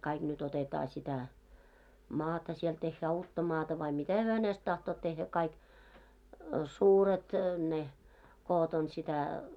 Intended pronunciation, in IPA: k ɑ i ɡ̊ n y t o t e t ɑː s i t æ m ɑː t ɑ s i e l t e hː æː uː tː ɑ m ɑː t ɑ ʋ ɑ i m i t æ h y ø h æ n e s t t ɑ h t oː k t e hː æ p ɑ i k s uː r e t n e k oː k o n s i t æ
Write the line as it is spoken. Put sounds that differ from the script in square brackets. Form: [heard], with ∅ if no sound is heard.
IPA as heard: k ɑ i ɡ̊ n y t o t e t ɑː s i t æ m ɑː t ɑ s i e l t e hː æː uː tː ɑ m ɑː t ɑ ʋ ɑ i m i t æ h y ø h æ n e s t t ɑ h t oː [t] t e hː æ [k] ɑ i k s uː r e t n e k oː [t] o n s i t æ